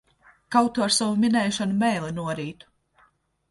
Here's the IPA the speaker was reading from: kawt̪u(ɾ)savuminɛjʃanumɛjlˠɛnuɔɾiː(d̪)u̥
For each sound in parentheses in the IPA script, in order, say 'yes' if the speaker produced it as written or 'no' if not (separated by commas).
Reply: yes, no